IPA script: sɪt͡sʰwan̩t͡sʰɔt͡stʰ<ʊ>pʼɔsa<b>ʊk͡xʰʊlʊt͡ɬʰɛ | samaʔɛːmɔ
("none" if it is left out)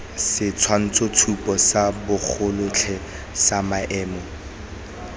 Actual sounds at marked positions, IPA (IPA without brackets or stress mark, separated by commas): u, b